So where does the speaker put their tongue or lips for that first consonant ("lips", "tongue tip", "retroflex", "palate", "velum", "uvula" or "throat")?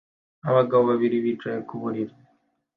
lips